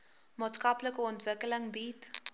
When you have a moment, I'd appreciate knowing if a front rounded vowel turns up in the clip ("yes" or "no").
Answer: no